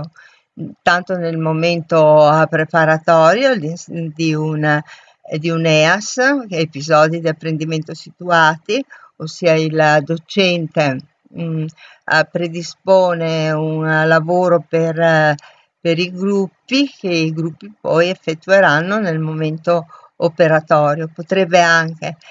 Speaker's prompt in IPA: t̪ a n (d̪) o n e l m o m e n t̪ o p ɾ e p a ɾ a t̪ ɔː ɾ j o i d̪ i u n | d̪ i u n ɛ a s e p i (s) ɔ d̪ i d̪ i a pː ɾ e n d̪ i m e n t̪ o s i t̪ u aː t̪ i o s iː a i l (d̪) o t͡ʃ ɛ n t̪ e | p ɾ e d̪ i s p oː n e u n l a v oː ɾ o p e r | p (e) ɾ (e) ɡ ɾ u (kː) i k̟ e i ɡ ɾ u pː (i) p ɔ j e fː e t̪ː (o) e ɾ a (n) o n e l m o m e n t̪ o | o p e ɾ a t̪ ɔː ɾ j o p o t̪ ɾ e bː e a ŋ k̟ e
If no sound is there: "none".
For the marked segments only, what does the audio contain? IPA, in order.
t̪, z, d̪, e, i, pː, i, u, nː

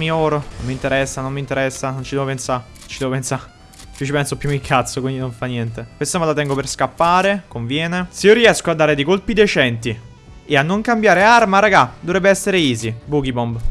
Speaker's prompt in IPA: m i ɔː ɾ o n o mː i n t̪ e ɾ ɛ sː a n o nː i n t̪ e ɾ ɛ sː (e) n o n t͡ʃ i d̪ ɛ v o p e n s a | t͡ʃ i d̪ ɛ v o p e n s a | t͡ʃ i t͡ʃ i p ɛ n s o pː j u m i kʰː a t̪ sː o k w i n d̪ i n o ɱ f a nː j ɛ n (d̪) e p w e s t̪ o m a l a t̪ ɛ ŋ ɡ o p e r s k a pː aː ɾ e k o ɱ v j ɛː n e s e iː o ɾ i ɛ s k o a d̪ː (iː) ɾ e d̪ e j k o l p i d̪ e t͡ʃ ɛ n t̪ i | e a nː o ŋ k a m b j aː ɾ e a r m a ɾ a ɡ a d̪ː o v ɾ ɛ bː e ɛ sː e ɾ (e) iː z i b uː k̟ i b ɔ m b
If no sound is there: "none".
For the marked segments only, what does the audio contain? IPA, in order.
a, t̪, aː, e

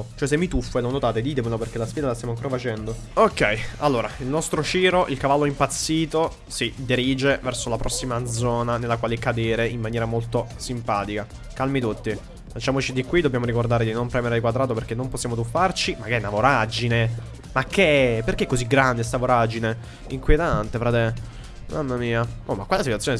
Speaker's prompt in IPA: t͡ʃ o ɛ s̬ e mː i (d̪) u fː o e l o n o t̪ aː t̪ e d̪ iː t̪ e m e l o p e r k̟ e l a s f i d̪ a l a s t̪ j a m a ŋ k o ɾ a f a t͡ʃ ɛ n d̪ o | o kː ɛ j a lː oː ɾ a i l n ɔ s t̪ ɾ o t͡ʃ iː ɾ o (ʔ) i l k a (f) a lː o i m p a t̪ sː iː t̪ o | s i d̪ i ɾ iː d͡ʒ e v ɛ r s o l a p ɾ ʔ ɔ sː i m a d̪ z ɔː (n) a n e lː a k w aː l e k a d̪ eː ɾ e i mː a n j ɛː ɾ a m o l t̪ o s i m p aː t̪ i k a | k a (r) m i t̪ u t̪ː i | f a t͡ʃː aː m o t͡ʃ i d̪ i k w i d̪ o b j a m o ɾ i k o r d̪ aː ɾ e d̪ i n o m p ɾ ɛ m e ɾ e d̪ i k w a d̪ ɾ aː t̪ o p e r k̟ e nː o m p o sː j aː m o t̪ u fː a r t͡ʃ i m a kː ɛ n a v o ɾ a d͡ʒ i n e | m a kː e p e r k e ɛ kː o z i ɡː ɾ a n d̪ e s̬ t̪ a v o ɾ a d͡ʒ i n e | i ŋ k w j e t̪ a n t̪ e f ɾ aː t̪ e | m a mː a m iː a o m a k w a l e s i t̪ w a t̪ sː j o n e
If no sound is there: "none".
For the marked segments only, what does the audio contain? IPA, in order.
t̪, ʔ, v, n, l

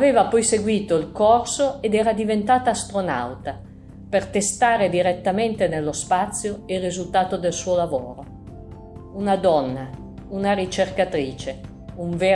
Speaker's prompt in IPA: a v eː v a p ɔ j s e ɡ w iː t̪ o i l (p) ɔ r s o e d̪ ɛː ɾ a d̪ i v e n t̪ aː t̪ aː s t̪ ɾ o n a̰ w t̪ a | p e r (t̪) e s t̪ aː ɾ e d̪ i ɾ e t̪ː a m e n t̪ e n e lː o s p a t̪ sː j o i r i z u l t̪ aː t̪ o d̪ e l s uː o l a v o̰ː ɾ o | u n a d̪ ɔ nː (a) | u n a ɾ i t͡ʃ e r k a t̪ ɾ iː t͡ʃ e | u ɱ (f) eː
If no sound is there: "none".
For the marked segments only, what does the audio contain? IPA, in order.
k, t̪, a, v

